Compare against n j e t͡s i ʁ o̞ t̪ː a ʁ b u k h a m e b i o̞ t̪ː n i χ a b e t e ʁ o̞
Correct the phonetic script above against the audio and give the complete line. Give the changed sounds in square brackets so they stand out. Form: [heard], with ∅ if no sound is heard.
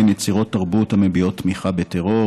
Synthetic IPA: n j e t͡s i ʁ o̞ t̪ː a ʁ b u [t] h a m e b i o̞ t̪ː [m] i χ a b e t e ʁ o̞